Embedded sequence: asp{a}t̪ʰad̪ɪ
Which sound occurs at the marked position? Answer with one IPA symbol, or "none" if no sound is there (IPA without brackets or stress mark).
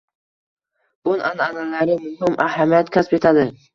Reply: e